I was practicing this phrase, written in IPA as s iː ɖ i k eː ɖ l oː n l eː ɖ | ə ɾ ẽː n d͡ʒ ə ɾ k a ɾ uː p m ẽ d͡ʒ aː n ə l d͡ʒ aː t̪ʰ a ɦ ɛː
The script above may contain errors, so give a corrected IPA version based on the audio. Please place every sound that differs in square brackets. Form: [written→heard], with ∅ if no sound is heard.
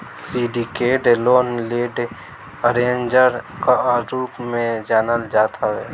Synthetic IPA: s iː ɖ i k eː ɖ l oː n l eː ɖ | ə ɾ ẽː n d͡ʒ ə ɾ k a ɾ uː p m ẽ d͡ʒ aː n ə l d͡ʒ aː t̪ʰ a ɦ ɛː